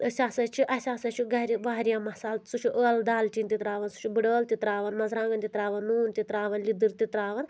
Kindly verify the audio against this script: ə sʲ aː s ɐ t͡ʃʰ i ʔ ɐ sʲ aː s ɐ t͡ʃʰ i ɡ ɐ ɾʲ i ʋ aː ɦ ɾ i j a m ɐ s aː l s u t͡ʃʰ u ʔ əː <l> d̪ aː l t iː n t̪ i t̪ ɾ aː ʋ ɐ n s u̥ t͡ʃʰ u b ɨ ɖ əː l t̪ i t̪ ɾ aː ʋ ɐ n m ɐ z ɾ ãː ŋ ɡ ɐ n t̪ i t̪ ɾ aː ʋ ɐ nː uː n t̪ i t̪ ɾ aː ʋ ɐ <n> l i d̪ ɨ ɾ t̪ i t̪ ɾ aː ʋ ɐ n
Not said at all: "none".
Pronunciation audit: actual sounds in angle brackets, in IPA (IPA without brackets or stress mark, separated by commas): l, n